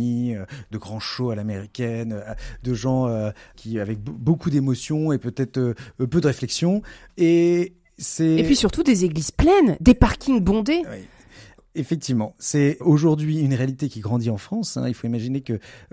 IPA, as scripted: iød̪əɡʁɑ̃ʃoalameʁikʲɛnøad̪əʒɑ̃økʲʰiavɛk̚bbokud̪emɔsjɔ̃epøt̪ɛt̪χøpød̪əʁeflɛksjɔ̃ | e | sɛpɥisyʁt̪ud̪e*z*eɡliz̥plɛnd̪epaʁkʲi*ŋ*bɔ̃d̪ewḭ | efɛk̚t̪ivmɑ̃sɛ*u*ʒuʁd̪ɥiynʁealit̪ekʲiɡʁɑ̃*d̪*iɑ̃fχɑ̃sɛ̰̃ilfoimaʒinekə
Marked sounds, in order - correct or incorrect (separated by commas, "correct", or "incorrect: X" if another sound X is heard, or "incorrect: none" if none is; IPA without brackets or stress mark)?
correct, correct, incorrect: o, correct